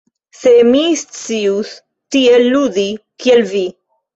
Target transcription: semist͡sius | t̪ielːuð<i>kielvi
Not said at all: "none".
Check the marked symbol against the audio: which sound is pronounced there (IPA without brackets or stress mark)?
i